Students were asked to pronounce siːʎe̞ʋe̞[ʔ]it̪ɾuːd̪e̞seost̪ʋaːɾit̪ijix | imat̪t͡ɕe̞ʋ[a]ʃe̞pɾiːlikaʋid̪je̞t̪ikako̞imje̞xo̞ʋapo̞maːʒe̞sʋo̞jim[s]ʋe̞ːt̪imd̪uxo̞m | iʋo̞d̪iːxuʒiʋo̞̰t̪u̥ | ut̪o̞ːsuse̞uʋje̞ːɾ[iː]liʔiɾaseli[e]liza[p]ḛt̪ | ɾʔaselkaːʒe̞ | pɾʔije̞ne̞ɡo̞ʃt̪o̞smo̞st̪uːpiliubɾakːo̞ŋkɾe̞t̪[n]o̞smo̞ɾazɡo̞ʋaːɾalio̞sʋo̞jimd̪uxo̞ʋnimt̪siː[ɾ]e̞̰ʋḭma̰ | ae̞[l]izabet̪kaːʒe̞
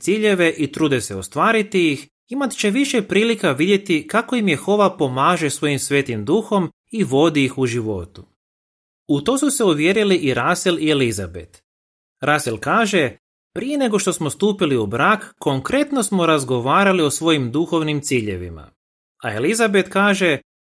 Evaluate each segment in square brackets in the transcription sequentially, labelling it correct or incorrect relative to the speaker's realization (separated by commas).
correct, incorrect, correct, incorrect, correct, incorrect, correct, incorrect, correct